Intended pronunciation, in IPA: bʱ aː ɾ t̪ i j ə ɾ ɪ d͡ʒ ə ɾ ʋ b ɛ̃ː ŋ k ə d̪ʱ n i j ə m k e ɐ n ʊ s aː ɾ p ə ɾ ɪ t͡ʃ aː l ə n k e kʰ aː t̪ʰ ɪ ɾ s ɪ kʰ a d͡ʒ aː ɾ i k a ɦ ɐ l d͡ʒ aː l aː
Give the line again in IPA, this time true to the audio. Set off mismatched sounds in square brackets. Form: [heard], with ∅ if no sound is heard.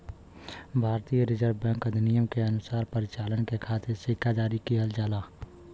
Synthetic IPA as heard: bʱ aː ɾ t̪ i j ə ɾ ɪ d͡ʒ ə ɾ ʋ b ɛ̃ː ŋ k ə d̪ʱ n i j ə m k e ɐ n ʊ s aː ɾ p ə ɾ ɪ t͡ʃ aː l ə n k e kʰ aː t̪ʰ ɪ ɾ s ɪ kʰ a d͡ʒ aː ɾ i k [i] ɦ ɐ l d͡ʒ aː l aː